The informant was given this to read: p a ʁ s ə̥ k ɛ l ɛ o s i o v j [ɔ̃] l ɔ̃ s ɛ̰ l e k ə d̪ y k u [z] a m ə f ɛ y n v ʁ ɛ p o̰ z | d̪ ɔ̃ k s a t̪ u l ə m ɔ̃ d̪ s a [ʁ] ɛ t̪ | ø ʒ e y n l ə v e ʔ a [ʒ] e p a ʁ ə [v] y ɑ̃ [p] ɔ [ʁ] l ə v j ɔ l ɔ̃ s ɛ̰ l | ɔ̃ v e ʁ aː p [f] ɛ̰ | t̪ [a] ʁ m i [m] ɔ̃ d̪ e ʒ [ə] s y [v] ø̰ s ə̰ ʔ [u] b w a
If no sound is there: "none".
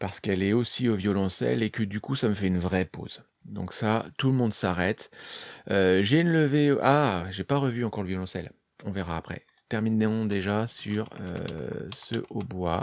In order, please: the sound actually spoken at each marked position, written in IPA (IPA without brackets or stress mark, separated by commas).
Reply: ɔ, s, ʁ, ʒ, v, k, ʁ, χ, ɛ, n, a, ʁ, o